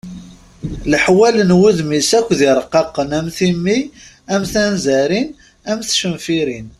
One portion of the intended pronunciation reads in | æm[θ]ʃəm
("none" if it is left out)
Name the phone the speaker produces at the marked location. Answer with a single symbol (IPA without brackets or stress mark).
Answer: θ